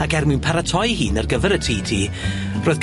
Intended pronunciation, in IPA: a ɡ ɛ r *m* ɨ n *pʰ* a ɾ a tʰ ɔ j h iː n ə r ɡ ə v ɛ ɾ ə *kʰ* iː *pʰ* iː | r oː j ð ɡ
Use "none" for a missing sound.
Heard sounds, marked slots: m, pʰ, tʰ, tʰ

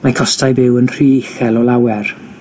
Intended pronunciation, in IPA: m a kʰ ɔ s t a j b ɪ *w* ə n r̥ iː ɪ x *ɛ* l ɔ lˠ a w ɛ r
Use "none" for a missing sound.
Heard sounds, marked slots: w, ɛ

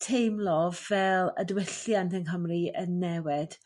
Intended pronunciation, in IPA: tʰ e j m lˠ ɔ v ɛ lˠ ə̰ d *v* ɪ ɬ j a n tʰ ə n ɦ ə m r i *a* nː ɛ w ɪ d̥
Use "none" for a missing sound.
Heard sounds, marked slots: w, ə

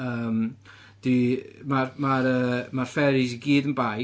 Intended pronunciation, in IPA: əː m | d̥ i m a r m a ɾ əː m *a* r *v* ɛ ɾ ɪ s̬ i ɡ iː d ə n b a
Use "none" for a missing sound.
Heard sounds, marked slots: a, f

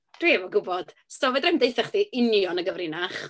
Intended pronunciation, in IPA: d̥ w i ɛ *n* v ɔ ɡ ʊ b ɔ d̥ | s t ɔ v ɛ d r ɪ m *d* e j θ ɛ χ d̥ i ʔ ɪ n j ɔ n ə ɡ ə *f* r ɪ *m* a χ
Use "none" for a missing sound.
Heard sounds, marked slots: none, d, v, n

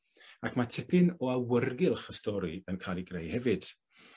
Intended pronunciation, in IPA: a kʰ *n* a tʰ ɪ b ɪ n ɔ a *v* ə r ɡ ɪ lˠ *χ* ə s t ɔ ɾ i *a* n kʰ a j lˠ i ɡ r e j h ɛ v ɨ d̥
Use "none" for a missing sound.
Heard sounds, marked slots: m, w, χ, ə

